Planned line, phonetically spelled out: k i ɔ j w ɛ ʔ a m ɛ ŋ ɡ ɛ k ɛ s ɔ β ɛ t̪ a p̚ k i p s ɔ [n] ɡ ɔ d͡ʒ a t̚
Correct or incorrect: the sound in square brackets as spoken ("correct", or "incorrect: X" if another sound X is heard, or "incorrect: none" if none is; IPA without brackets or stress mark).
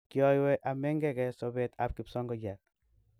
incorrect: ŋ